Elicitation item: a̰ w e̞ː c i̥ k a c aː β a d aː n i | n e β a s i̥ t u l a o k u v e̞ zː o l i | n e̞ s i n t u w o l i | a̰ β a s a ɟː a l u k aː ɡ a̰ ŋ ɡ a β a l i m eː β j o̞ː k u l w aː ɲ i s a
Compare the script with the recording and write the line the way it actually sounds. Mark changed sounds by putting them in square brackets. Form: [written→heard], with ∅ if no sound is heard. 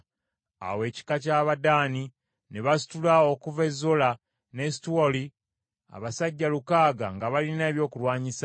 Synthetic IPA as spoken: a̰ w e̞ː c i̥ k a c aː β a d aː n i | n e β a s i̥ t u l a o k u v e̞ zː o l [i→a] | n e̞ s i [n→∅] t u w o l i | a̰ β a s a ɟː a l u k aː ɡ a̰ ŋ ɡ a β a l i [m→n] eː β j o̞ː k u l w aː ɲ i s a